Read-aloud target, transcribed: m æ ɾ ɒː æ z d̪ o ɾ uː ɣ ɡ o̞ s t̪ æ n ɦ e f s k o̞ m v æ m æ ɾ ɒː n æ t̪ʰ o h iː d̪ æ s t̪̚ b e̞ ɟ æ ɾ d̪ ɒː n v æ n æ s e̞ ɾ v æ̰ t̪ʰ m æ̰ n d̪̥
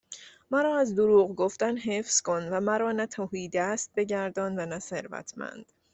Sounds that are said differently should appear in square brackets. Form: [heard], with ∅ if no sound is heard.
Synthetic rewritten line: m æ ɾ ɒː æ z d̪ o ɾ uː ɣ ɡ o̞ [f] t̪ æ n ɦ e f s k o̞ [n] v æ m æ ɾ ɒː n æ t̪ʰ o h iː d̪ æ s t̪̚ b e̞ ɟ æ ɾ d̪ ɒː n v æ n æ s e̞ ɾ v æ̰ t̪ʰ m æ̰ n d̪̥